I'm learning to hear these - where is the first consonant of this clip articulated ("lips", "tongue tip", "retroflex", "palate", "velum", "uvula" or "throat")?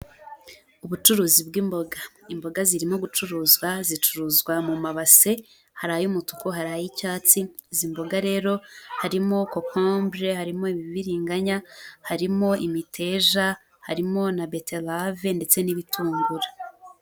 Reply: lips